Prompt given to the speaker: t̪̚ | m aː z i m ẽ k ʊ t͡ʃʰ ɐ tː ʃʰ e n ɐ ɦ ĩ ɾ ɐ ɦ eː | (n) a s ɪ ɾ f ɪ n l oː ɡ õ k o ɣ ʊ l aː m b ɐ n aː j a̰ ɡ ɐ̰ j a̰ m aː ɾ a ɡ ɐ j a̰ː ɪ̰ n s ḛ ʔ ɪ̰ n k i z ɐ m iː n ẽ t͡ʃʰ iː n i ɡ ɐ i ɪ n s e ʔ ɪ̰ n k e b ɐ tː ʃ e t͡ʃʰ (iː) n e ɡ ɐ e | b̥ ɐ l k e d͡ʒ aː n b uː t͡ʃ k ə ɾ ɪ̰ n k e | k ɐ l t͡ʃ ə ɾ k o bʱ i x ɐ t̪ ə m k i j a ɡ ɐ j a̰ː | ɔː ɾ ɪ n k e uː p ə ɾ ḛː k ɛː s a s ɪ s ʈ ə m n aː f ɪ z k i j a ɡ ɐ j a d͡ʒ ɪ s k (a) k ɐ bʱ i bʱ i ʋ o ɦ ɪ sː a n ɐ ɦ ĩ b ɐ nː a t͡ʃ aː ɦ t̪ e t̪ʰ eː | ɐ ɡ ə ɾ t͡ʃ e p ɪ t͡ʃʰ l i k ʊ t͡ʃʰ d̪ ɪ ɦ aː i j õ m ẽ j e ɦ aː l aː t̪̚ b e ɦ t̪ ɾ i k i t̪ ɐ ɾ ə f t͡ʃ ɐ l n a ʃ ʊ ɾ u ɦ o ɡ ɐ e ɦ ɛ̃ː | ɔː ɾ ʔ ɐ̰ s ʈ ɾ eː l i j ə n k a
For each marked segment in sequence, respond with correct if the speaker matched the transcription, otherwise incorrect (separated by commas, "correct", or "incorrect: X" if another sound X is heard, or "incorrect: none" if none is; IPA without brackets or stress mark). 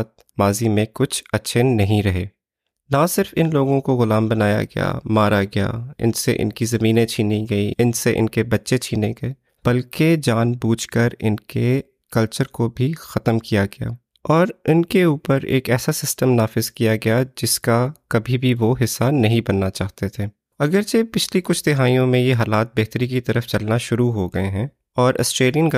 correct, correct, correct